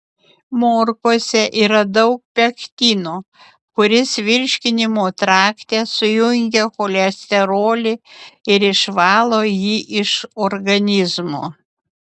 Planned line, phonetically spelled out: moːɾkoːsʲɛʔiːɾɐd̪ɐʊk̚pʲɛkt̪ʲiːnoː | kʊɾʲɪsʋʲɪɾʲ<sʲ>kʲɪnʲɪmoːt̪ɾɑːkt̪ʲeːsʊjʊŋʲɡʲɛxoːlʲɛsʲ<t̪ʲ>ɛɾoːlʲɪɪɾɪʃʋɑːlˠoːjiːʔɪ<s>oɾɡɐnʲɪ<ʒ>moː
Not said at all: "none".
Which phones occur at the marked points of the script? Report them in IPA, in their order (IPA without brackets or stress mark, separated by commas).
ʃʲ, t̪ʲ, ʃ, z